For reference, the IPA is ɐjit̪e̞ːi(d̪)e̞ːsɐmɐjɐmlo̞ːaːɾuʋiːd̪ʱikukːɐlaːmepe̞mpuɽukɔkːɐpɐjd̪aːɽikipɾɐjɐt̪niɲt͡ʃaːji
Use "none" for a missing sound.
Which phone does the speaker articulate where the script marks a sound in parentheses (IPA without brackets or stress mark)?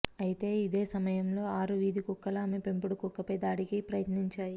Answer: d̪